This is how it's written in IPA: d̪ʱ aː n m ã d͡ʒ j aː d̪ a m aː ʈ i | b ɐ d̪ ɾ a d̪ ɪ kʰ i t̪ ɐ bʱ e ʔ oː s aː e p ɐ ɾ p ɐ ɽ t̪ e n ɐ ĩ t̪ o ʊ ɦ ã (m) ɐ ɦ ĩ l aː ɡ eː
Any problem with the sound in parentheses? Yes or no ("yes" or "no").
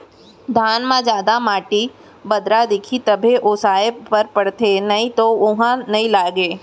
yes